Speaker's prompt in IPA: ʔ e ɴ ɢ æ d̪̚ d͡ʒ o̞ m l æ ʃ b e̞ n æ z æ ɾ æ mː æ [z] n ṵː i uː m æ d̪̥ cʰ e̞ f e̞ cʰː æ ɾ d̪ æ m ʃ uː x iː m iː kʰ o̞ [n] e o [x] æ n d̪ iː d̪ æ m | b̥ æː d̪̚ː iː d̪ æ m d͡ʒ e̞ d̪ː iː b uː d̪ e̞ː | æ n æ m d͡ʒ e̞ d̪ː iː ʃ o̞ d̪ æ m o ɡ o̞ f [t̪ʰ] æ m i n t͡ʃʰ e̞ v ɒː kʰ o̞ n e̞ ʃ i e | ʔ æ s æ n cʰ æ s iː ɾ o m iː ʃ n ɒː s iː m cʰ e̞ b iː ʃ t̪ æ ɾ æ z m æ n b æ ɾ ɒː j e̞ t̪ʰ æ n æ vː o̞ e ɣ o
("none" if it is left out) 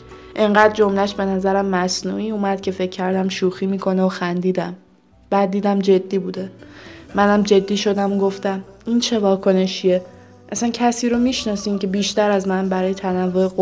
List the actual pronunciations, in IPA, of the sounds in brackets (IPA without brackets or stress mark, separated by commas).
s, n, x, t̪